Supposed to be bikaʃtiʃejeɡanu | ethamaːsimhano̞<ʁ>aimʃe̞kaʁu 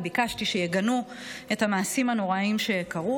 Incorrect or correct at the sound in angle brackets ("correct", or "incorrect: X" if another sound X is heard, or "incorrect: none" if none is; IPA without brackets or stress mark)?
correct